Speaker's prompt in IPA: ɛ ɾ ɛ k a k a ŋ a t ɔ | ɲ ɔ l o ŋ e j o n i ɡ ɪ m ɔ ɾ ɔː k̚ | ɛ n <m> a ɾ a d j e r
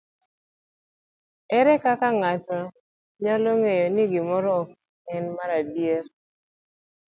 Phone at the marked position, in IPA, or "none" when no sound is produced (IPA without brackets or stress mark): m